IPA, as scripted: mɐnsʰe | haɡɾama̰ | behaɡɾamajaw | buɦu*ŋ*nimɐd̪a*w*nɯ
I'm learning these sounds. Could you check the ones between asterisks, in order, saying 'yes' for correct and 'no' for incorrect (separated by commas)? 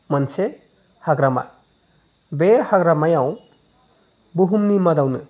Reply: no, yes